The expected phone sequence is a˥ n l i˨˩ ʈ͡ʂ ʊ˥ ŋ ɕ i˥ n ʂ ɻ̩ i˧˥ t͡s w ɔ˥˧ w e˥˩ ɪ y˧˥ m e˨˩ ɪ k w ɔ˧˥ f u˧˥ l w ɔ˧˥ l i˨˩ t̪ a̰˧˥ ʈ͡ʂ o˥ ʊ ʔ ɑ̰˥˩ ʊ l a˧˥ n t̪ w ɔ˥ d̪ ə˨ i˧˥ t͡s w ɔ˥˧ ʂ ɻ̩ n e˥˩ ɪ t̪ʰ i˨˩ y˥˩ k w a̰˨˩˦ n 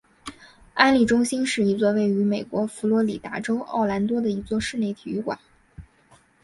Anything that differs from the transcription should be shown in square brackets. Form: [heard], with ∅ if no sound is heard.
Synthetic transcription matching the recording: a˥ n l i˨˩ ʈ͡ʂ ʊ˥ ŋ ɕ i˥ n ʂ ɻ̩ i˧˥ t͡s w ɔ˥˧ w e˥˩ ɪ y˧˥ m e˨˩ ɪ k w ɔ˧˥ f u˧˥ l w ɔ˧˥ l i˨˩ t̪ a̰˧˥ ʈ͡ʂ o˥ ʊ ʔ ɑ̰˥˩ ʊ l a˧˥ n t̪ w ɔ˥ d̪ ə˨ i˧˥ t͡s w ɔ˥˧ ʂ ɻ̩ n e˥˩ ɪ t̪ʰ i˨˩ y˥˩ k w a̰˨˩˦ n